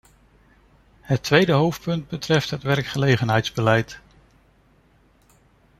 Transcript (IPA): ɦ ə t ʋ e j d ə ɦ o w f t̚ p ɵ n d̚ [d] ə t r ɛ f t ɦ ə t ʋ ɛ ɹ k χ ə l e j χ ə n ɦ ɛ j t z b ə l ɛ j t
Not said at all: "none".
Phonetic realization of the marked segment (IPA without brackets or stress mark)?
b